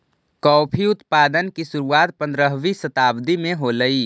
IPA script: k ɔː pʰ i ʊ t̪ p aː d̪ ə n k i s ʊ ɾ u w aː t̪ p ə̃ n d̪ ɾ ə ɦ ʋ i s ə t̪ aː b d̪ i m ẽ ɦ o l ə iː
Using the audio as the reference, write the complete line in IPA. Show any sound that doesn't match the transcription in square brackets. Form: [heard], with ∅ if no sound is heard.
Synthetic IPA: k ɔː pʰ i ʊ t̪ p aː d̪ ə n k i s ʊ ɾ u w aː t̪ p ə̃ n d̪ ɾ ə ɦ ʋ i s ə t̪ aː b d̪ i m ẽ ɦ o l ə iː